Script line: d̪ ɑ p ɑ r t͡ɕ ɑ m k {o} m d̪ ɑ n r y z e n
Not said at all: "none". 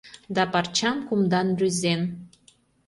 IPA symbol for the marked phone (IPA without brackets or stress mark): u